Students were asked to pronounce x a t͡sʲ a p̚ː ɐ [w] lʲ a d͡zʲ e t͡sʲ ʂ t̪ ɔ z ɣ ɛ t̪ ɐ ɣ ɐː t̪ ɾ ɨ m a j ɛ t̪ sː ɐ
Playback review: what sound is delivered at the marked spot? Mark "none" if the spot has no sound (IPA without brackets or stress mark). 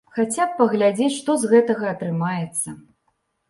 ɣ